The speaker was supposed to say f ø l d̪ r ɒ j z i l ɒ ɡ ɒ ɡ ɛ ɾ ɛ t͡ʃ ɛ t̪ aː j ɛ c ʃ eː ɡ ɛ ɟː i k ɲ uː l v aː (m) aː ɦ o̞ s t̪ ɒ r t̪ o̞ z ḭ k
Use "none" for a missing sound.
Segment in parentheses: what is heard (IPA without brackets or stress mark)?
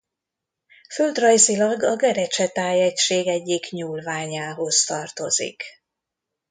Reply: ɲ